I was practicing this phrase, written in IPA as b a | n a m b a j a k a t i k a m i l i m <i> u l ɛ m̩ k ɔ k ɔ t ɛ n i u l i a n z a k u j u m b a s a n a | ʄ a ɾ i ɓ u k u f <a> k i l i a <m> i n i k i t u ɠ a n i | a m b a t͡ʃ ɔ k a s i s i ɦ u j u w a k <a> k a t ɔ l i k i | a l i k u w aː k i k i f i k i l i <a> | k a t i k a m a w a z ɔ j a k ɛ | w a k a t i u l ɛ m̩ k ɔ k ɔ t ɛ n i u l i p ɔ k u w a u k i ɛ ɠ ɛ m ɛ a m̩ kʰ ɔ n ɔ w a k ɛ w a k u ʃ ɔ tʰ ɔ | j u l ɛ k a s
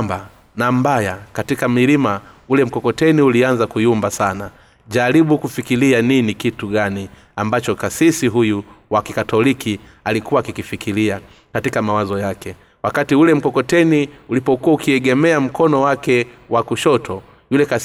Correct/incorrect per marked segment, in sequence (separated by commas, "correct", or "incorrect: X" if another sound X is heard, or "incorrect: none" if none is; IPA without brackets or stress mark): incorrect: a, incorrect: i, incorrect: n, incorrect: i, correct